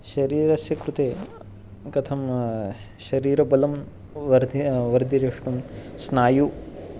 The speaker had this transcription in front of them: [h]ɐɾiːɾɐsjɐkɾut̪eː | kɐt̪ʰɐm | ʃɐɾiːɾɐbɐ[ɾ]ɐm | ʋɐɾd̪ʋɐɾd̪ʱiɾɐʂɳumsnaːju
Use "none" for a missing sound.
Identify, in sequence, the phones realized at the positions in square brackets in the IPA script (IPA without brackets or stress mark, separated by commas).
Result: ʃ, l